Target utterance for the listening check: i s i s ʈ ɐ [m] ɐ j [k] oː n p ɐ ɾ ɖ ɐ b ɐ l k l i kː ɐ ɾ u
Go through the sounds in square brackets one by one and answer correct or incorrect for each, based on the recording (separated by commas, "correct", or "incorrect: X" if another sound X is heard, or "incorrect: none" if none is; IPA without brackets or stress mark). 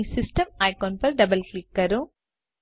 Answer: correct, correct